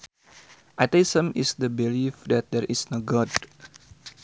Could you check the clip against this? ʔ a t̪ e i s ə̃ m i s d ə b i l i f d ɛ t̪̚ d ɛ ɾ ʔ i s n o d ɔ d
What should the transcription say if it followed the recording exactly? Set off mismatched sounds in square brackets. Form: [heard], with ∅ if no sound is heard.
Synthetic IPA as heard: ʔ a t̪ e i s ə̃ m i s d ə b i l i f d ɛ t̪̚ d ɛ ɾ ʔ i s n o [ɡ] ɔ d